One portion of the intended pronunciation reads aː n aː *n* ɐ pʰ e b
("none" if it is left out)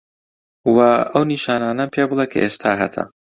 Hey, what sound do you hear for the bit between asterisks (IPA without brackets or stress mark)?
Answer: n